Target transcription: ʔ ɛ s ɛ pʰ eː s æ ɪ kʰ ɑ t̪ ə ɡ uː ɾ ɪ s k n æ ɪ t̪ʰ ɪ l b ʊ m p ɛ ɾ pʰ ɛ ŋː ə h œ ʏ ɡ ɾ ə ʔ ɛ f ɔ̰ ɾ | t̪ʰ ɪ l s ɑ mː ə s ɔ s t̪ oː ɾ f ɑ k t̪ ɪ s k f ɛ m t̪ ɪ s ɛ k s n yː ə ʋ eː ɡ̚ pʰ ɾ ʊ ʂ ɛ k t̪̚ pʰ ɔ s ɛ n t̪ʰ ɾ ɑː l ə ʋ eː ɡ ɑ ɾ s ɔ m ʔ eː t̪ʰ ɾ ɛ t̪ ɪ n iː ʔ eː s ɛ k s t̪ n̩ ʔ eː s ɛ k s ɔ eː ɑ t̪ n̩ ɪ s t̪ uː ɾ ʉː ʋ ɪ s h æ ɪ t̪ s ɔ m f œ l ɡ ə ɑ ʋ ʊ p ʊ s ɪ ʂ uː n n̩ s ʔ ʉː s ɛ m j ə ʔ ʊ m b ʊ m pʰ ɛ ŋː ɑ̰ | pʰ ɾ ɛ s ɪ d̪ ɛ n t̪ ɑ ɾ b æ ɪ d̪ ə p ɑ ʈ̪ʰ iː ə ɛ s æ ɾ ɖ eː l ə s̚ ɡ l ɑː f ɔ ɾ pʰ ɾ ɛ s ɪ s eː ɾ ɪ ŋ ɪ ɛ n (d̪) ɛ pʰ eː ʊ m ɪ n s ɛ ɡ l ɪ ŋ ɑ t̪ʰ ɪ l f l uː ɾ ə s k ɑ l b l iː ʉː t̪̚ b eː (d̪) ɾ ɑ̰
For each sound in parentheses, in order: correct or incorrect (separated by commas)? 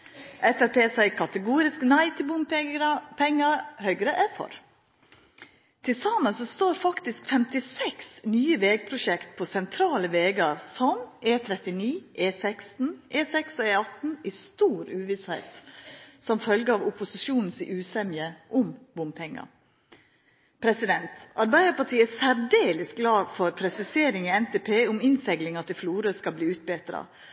incorrect, incorrect